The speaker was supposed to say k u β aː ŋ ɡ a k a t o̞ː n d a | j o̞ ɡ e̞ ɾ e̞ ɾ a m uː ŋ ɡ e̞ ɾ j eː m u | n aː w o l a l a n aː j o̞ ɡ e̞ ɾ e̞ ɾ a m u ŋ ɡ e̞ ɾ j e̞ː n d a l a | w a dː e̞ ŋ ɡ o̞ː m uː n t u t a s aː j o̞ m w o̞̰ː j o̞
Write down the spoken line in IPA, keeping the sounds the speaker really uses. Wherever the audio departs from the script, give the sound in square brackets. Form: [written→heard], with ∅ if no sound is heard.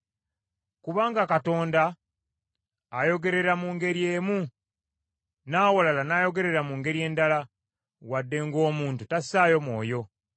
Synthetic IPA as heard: k u β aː ŋ ɡ a k a t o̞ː n d a | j o̞ ɡ e̞ ɾ e̞ ɾ a m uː ŋ ɡ e̞ ɾ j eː m u | n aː w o l a l a n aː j o̞ ɡ e̞ ɾ e̞ ɾ a m u ŋ ɡ e̞ ɾ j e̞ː n d a l a | w a dː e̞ ŋ ɡ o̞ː m uː n t u t a s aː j o̞ m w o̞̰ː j o̞

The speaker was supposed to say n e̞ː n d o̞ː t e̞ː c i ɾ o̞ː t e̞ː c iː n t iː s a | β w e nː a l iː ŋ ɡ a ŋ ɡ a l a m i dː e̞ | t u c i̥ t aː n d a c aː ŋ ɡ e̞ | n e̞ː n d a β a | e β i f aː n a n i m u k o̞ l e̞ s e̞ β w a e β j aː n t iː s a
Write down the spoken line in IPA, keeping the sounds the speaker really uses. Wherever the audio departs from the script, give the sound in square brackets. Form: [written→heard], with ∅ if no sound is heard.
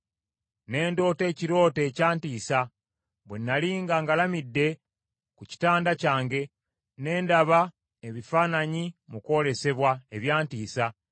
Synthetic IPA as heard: n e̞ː n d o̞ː t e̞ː c i ɾ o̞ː t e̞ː c [iː→aː] n t iː s a | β w e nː a l iː ŋ ɡ a ŋ ɡ a l a m i dː e̞ | [t→k] u c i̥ t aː n d a c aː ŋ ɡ e̞ | n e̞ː n d a β a | e β i f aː n a [n→ɲ] i m u k o̞ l e̞ s e̞ β w a e β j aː n t iː s a

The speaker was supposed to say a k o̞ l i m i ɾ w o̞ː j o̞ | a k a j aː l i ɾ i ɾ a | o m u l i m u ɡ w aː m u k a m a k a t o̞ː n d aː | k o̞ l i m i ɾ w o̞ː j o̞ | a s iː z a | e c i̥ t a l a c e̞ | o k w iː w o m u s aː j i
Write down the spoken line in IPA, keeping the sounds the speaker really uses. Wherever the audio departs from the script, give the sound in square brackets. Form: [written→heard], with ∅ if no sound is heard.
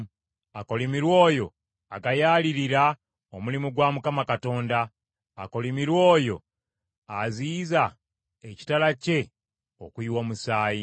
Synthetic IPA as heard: a k o̞ l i m i ɾ w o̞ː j o̞ | a [k→ɡ] a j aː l i ɾ i ɾ a | o m u l i m u ɡ w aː m u k a m a k a t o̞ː n d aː | k o̞ l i m i ɾ w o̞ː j o̞ | a [s→z] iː z a | e c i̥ t a l a c e̞ | o k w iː w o m u s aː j i

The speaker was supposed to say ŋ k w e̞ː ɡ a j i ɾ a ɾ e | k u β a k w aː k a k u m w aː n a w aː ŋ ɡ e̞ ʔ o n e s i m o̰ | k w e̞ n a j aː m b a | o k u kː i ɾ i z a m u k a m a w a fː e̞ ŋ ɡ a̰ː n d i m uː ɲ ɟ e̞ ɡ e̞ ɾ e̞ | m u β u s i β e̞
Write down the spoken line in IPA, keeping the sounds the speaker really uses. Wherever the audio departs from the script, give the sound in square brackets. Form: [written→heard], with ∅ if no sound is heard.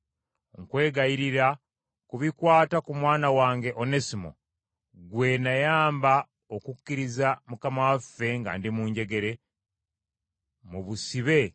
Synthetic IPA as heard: ŋ k w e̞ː ɡ a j i ɾ [a→i] ɾ [e→a] | k u β [a→i] k w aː [k→t] a k u m w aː n a w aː ŋ ɡ e̞ ʔ o n e s i m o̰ | [k→ɡ] w e̞ n a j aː m b a | o k u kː i ɾ i z a m u k a m a w a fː e̞ ŋ ɡ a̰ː n d i m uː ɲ ɟ e̞ ɡ e̞ ɾ e̞ | m u β u s i β e̞

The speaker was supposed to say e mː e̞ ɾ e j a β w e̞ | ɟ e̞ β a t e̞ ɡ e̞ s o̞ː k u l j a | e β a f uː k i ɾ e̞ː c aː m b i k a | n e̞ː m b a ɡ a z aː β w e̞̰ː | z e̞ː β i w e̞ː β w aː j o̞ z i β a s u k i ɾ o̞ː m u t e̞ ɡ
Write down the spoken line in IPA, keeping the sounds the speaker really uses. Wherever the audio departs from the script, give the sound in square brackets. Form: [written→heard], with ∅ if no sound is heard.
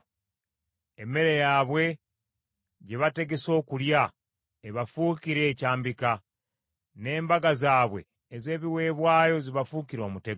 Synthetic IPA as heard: e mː e̞ ɾ e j a β w e̞ | ɟ e̞ β a t e̞ ɡ e̞ s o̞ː k u l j a | e β a f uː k i ɾ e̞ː c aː m b i k a | n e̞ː m b a ɡ a z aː β w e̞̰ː | z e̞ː β i w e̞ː β w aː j o̞ z i β a [s→f] u k i ɾ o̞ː m u t e̞ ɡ

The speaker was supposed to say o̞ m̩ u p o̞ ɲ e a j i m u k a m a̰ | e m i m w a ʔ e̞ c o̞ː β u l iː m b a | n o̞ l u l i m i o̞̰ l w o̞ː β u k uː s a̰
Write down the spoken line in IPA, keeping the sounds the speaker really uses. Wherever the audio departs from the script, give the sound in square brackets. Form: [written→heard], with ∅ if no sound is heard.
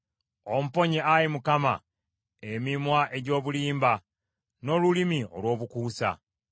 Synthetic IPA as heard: o̞ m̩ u p o̞ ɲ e a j i m u k a m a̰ | e m i m w a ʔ e̞ [c→ɟ] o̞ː β u l iː m b a | n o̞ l u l i m i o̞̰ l w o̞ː β u k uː s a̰

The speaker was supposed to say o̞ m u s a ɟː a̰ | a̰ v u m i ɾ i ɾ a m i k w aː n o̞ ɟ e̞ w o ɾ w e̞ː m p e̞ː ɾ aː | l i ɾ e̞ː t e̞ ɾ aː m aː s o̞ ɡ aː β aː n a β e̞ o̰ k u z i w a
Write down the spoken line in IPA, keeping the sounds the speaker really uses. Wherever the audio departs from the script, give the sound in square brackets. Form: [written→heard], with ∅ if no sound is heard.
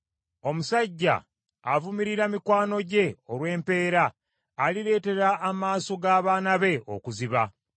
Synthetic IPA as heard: o̞ m u s a ɟː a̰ | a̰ v u m i ɾ i ɾ a m i k w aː n o̞ ɟ e̞ [w→∅] o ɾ w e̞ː m p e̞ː ɾ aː | l i ɾ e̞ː t e̞ ɾ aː m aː s o̞ ɡ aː β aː n a β e̞ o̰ k u z i [w→β] a

